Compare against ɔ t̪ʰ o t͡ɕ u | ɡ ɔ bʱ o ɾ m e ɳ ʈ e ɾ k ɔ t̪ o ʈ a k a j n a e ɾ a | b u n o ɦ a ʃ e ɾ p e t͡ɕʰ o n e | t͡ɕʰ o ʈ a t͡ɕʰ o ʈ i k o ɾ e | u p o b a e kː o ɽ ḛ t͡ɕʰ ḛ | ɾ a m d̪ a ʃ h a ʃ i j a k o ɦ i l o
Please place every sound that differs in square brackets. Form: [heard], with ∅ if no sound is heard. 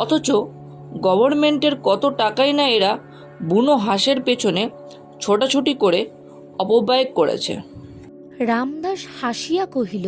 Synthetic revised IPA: ɔ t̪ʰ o t͡ɕ [o] | ɡ ɔ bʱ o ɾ m e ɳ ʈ e ɾ k ɔ t̪ o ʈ a k a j n a e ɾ a | b u n o ɦ a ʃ e ɾ p e t͡ɕʰ o n e | t͡ɕʰ o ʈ a t͡ɕʰ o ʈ i k o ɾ e | [ɔ] p o b a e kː o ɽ ḛ t͡ɕʰ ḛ | ɾ a m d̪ a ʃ h a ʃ i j a k o ɦ i l o